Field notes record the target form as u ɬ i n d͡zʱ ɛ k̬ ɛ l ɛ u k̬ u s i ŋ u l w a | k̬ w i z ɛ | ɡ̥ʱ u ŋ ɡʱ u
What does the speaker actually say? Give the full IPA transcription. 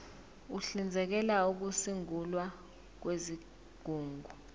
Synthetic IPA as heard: u ɬ i n d͡zʱ ɛ k̬ ɛ l a u k̬ u s i ŋ u l w a | k̬ w e z i | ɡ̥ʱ uː ŋ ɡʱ u